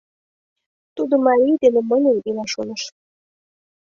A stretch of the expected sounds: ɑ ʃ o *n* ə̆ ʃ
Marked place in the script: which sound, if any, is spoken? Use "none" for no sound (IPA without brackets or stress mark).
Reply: n